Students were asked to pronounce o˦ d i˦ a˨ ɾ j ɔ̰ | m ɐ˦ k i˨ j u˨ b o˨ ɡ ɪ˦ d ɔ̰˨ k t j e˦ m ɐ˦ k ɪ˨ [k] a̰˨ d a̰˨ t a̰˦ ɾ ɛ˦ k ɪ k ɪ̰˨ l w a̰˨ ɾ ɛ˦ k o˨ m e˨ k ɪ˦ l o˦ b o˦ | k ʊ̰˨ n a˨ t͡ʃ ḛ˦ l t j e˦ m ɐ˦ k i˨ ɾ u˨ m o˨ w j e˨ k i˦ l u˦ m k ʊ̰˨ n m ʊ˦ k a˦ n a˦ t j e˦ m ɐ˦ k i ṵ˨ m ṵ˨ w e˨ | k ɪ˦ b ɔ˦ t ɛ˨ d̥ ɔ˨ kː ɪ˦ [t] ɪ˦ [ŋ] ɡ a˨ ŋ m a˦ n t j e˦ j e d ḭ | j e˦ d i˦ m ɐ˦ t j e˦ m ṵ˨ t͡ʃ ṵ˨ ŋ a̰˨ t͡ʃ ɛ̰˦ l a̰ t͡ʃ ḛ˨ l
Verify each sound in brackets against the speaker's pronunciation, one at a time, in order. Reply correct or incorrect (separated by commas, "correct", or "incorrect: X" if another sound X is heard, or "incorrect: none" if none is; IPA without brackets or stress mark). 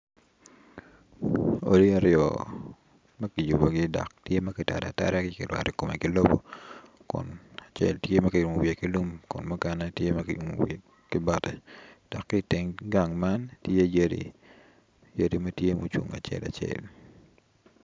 incorrect: t, correct, correct